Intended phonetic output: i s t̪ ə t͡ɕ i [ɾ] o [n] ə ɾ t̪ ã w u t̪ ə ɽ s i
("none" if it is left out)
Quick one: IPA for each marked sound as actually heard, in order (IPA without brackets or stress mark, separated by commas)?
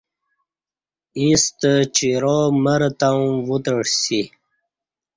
ɾ, m